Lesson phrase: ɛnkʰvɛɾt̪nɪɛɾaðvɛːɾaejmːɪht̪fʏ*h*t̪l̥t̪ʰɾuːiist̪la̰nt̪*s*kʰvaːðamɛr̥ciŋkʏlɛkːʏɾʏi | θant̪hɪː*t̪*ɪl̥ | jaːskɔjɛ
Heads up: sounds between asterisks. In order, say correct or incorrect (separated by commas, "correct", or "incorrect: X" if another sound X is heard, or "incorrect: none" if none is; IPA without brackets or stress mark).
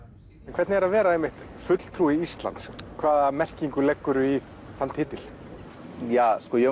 incorrect: none, correct, correct